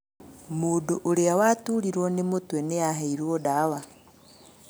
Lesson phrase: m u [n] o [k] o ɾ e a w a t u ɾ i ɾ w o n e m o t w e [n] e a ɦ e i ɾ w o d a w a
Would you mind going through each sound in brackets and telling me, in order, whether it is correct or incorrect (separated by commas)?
incorrect, incorrect, correct